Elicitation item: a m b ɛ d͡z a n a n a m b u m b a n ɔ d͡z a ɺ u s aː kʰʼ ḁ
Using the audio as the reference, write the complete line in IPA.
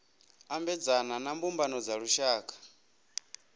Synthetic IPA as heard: a m b ɛ d͡z a n a n a m b u m b a n ɔ d͡z a ɺ u ʃ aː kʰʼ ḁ